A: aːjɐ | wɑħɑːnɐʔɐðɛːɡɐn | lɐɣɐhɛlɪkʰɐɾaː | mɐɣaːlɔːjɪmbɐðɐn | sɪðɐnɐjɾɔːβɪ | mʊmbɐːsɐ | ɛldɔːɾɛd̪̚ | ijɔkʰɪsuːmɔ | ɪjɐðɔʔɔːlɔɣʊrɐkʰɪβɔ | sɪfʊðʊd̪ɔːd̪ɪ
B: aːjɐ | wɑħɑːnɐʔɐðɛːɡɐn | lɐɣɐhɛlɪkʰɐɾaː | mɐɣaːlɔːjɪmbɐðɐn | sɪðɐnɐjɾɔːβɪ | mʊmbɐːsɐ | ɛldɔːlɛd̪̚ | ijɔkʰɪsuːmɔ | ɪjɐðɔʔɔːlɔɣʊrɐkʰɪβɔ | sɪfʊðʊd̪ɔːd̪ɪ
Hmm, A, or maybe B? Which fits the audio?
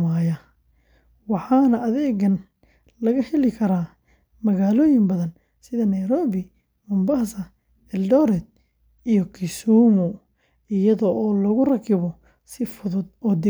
A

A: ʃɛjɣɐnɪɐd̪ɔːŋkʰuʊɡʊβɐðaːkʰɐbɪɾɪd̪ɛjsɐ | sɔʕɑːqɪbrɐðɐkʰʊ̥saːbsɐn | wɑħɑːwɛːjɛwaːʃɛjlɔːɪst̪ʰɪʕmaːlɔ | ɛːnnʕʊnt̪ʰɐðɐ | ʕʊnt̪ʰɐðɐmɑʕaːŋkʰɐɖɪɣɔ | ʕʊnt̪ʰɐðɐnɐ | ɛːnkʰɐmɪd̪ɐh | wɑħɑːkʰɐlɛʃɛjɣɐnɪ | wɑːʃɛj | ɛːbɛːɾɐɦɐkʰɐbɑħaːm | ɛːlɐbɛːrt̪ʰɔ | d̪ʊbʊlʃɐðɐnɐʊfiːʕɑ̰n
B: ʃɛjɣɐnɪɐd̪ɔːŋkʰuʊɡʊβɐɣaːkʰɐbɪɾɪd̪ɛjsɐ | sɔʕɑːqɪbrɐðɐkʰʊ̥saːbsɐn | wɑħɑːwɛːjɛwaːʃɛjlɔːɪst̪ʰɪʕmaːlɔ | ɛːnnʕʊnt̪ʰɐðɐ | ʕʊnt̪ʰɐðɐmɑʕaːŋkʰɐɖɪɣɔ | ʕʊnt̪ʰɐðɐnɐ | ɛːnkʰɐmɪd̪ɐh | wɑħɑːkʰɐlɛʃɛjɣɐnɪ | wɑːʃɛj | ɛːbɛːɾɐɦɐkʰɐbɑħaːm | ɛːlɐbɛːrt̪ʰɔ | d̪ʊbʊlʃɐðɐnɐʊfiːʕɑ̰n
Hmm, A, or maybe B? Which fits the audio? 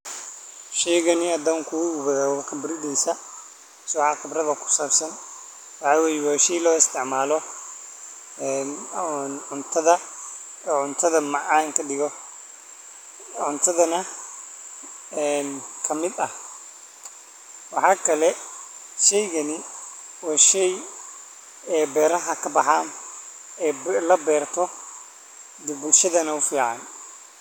A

